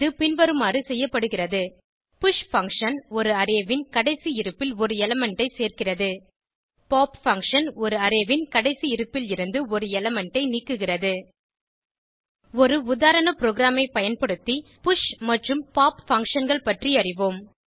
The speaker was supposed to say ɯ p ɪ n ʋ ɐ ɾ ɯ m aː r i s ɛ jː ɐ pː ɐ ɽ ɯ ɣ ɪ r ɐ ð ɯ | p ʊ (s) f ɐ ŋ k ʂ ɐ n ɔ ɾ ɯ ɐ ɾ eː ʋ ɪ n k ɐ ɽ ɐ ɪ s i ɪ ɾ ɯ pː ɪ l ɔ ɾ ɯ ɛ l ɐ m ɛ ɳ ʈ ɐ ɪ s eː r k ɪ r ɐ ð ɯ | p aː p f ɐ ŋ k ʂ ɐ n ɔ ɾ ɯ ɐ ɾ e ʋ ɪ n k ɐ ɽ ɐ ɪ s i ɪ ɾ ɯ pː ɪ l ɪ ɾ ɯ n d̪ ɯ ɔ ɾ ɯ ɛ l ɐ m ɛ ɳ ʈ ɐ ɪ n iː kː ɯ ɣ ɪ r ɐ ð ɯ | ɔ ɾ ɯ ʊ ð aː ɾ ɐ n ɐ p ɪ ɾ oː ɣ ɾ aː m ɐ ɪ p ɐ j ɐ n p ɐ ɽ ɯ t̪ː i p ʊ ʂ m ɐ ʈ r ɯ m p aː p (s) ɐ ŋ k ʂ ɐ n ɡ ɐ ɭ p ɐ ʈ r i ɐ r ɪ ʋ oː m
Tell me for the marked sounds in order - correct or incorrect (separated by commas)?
incorrect, incorrect